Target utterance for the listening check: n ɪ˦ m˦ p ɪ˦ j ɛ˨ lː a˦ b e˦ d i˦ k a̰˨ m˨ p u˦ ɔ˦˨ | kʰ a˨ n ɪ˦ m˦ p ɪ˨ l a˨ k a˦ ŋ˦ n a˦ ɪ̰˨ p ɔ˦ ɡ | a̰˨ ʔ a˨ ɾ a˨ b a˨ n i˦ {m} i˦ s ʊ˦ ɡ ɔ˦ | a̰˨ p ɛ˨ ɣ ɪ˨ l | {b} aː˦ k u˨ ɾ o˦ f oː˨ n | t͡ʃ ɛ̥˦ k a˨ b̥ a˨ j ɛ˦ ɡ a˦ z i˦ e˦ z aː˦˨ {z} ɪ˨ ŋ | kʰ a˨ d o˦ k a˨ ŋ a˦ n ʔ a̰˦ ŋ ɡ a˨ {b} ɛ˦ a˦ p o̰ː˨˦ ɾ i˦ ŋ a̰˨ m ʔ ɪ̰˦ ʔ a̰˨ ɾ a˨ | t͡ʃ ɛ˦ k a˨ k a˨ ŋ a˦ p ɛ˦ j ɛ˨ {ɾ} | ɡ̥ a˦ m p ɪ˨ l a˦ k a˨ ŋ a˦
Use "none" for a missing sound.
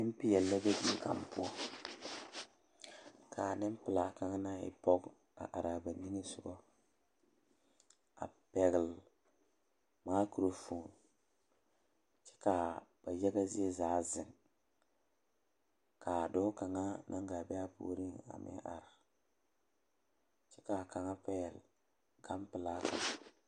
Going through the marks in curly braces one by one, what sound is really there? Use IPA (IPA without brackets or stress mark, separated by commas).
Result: ŋ, m, z, b, l